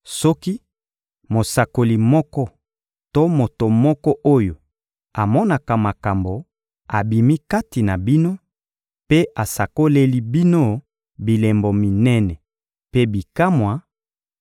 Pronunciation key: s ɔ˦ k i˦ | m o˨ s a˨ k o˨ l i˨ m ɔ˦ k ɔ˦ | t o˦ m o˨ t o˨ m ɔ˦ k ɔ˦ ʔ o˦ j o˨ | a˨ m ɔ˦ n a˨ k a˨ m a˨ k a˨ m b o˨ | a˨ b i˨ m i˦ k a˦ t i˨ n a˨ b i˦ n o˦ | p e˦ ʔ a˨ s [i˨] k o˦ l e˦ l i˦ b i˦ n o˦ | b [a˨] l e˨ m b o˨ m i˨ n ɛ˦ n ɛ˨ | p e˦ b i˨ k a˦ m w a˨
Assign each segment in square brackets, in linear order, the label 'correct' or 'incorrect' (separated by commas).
incorrect, incorrect